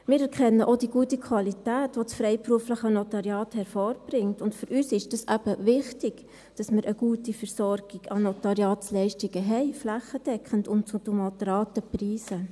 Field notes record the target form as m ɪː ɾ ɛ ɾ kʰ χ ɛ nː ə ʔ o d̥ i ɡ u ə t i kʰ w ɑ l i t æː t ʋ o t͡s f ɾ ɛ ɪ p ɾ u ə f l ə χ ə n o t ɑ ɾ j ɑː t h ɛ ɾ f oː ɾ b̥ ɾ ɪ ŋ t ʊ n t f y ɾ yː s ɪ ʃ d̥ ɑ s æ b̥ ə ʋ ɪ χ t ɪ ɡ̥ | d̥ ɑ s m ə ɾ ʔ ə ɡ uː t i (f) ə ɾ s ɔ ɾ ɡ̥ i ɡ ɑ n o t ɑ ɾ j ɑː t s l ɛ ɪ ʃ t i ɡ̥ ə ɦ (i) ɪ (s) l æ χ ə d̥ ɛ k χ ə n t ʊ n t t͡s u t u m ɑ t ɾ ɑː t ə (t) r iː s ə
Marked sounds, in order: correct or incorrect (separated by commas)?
correct, incorrect, incorrect, incorrect